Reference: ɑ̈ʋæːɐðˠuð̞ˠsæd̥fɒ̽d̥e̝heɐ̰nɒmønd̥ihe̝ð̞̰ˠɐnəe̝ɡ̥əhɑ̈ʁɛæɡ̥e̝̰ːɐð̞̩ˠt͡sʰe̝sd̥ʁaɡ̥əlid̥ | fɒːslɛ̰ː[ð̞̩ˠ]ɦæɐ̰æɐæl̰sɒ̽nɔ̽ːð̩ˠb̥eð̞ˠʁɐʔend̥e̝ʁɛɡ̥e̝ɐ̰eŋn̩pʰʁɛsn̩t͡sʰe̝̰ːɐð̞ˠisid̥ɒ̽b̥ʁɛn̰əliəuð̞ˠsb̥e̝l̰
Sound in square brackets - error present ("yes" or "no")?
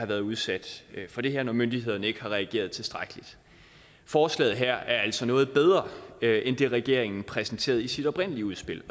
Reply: no